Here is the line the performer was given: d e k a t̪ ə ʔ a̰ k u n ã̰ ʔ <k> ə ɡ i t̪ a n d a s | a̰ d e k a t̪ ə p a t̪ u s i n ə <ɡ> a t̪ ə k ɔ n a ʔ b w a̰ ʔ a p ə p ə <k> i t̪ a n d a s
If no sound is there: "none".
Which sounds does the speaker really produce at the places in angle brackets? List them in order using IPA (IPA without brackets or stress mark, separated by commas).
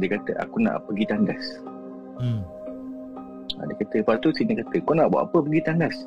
p, k, ɡ